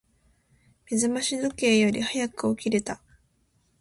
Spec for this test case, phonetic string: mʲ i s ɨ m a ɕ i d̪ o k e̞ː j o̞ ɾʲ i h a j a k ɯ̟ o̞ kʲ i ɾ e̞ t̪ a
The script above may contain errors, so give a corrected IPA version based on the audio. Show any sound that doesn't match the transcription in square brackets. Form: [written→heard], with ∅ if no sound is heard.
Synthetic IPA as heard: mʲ i [s→z] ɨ m a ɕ i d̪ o k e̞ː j o̞ ɾʲ i h a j a k ɯ̟ o̞ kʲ i ɾ e̞ t̪ a